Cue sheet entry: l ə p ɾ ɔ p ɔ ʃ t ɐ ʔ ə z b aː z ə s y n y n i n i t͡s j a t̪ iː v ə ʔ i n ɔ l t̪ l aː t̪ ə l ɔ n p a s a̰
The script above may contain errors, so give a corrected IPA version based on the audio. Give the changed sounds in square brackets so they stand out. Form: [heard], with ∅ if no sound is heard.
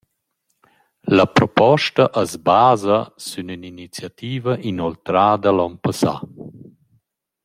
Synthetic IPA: l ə p ɾ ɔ p ɔ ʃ t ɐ ʔ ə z b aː z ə s y n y n i n i t͡s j a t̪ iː v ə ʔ i n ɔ l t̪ [ɾ] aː [d̪] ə l ɔ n p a s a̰

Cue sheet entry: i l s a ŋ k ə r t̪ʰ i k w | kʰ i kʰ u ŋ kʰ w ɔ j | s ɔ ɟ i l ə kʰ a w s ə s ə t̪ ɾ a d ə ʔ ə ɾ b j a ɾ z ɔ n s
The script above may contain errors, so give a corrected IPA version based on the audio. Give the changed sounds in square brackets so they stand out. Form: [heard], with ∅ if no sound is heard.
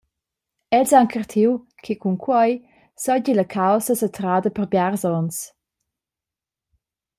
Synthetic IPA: [ɛ] l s a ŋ k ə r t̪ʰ i [∅] w | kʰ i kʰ u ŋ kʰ w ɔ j | s ɔ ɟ i l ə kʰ a w s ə s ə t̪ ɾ a d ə [p] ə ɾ b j a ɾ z ɔ n s

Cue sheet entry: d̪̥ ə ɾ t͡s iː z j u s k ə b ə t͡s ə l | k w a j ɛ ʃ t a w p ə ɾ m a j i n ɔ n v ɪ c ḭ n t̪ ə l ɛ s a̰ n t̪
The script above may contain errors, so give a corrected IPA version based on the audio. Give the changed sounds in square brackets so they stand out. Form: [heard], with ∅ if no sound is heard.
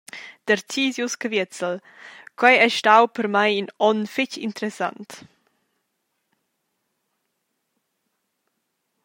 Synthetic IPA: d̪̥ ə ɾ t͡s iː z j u s k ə [v] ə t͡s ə l | k w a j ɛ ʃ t a w p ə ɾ m a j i n ɔ n [f] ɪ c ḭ n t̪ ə [ɾ] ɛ s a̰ n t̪

